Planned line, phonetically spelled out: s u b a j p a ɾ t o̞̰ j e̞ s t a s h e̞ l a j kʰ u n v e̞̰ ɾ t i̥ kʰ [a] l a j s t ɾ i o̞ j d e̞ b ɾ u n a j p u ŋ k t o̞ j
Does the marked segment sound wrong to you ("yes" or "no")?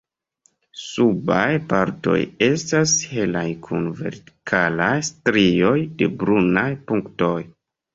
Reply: no